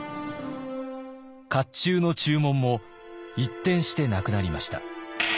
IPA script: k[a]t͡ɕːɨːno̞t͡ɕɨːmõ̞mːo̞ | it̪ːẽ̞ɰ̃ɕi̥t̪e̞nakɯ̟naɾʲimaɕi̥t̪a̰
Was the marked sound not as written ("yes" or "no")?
no